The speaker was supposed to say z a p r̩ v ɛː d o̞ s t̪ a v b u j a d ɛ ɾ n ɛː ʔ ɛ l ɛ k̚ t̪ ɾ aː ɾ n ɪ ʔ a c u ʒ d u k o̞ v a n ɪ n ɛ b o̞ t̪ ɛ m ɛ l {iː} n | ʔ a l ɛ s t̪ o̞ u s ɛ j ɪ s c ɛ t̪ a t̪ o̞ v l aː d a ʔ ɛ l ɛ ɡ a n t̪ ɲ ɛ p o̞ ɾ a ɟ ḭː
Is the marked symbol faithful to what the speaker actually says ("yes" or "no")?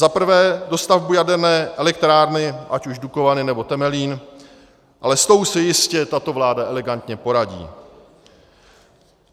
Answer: yes